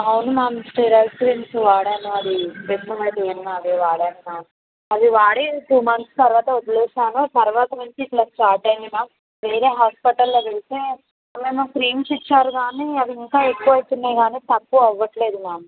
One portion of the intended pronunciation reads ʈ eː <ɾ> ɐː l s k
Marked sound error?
no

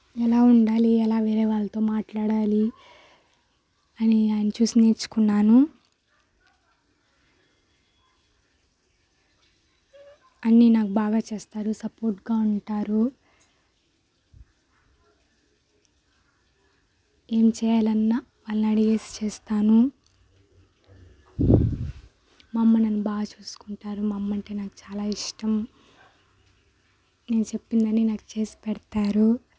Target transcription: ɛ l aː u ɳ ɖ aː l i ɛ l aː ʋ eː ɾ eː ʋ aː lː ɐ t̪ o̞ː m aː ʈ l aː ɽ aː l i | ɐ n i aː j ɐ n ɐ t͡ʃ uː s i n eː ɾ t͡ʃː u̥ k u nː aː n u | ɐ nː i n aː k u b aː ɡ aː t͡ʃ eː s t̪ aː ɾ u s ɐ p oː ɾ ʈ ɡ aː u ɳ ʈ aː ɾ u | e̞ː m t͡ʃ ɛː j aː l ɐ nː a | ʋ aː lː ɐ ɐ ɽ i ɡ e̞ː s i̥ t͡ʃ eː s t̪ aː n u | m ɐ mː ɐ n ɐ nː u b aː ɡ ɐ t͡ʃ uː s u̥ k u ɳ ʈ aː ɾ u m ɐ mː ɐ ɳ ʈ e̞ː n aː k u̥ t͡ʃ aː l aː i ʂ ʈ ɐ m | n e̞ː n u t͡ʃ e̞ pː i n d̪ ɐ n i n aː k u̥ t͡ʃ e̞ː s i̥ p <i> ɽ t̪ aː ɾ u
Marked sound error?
yes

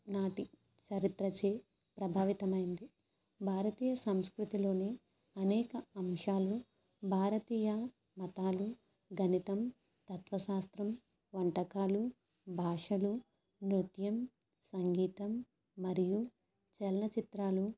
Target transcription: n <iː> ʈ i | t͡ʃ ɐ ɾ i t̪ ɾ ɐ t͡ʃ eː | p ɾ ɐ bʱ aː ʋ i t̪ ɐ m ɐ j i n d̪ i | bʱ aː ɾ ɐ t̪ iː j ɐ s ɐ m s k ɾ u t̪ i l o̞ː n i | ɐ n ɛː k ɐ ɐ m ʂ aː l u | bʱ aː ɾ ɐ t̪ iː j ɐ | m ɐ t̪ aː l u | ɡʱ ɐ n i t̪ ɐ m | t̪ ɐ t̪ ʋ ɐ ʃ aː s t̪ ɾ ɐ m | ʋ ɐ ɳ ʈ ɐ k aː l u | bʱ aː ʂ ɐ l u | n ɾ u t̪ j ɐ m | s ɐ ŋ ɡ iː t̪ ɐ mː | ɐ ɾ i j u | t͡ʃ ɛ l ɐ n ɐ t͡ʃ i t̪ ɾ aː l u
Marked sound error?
yes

